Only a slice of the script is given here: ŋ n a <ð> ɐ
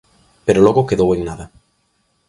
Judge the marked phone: correct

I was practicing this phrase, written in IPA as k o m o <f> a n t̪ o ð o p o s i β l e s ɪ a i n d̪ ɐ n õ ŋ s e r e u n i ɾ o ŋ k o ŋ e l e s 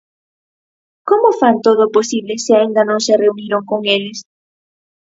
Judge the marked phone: correct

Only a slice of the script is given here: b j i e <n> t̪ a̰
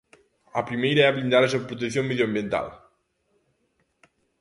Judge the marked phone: correct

